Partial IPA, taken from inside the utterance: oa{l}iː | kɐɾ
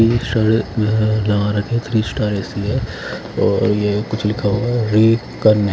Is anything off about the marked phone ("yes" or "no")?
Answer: yes